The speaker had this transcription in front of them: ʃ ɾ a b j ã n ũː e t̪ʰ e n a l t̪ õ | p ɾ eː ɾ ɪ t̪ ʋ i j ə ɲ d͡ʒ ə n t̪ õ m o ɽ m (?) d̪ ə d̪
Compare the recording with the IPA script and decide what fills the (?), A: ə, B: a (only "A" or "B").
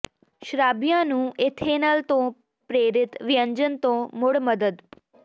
A